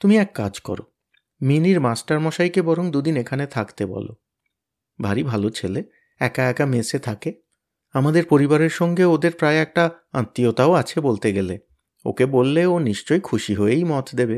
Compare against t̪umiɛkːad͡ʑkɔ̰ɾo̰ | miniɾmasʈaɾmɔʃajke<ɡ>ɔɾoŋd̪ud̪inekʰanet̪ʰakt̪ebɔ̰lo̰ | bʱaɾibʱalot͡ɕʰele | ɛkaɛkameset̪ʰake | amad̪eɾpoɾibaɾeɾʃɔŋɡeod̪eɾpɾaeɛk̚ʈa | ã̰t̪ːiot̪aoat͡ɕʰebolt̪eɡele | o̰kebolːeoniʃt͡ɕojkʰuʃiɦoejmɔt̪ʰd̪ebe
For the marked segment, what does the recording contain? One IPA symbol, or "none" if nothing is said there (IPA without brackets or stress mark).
b